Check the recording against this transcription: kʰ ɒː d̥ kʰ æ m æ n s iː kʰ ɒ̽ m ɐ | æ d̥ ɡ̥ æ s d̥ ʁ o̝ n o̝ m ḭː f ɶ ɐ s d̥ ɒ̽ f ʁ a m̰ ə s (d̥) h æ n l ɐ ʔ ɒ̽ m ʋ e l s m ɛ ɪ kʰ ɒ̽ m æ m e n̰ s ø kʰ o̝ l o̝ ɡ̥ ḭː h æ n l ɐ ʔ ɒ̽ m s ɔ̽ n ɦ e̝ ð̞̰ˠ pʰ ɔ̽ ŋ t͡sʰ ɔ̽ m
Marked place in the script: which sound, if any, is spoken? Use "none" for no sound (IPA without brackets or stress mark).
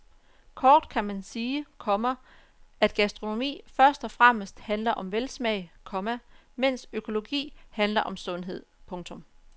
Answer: d̥